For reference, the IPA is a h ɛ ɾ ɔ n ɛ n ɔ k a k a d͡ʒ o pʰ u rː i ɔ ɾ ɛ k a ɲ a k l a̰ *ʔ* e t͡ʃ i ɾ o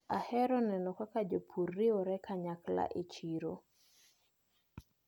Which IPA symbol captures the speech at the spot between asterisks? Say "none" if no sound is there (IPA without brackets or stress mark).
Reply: ʔ